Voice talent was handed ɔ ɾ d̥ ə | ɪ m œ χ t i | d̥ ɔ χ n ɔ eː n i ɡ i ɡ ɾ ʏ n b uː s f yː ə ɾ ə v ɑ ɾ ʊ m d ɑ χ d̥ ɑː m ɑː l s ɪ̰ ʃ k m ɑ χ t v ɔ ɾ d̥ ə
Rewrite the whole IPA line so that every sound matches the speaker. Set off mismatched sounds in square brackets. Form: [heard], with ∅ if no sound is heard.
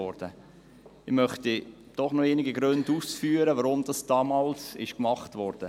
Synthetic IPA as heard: ɔ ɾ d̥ ə | ɪ m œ χ t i | d̥ ɔ χ n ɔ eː n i ɡ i ɡ ɾ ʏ n [d] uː s f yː ə ɾ ə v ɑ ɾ ʊ m d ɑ [s] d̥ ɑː m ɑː l s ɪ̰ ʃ k m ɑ χ t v ɔ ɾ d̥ ə